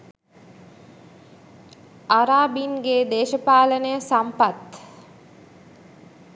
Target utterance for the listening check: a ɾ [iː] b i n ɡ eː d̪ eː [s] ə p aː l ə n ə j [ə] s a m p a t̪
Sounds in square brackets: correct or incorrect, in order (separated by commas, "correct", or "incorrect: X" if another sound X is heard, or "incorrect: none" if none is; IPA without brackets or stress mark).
incorrect: aː, incorrect: ʃ, correct